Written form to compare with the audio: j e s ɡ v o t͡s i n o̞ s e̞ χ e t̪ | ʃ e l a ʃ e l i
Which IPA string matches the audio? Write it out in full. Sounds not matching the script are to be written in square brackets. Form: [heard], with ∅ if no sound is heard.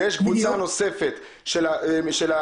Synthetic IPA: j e [ʃ] ɡ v [u] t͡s [a] n o̞ s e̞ [f] e t̪ | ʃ e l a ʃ e l [a]